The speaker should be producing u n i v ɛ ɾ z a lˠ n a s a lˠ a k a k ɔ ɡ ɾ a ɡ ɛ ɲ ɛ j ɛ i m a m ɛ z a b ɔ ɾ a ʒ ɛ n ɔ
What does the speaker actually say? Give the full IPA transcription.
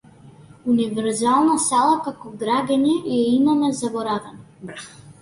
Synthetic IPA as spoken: u n i v ɛ ɾ z a lˠ n a s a lˠ a k a k ɔ ɡ ɾ a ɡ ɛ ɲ ɛ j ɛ i m a m ɛ z a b ɔ ɾ a v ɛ n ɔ